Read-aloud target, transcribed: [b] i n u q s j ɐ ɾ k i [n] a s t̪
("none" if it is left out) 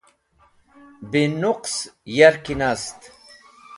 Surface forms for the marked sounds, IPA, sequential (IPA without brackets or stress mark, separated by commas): b, n